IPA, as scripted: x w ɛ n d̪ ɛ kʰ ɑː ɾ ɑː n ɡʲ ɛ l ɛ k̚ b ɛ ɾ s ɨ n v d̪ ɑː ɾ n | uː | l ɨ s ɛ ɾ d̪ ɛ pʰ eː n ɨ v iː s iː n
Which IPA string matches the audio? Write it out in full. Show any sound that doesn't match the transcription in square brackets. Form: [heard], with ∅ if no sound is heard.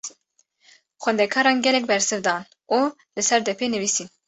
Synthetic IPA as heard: x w ɛ n d̪ ɛ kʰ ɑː ɾ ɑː n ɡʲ ɛ l ɛ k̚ b ɛ ɾ s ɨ [∅] v d̪ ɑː [∅] n | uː | l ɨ s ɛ ɾ d̪ ɛ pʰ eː n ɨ v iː s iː n